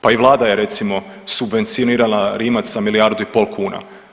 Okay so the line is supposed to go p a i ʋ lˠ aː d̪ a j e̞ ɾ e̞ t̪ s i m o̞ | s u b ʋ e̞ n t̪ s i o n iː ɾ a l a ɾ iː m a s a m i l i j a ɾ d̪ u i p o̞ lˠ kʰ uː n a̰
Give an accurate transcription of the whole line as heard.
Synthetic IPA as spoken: p a i ʋ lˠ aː d̪ a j e̞ ɾ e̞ t̪ s i m o̞ | s u b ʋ e̞ n t̪ s i o n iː ɾ a l a ɾ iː m a s a m i l i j a ɾ d̪ u i p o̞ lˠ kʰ uː n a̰